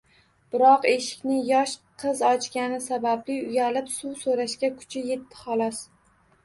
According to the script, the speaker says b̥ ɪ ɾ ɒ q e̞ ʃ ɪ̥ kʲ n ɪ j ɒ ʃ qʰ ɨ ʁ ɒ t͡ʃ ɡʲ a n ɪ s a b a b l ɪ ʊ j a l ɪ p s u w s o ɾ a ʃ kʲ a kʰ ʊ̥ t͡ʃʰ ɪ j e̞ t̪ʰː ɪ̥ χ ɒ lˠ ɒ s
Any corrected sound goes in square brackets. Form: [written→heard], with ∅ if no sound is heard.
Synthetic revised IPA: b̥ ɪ ɾ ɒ q e̞ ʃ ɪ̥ kʲ n ɪ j ɒ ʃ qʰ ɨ [ʁ→z] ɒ t͡ʃ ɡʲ a n ɪ s a b a b l ɪ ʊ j a l ɪ p s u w s o ɾ a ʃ kʲ a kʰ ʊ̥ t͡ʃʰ ɪ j e̞ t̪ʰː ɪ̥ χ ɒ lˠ ɒ s